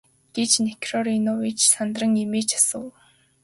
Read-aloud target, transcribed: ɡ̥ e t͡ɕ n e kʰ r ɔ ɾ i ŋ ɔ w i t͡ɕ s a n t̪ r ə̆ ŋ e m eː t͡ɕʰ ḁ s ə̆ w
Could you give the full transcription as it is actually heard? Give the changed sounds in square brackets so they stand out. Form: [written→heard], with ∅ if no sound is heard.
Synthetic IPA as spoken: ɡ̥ e t͡ɕ n e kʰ r ɔ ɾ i [ŋ→n] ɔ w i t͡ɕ s a n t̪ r ə̆ ŋ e m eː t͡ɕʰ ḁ s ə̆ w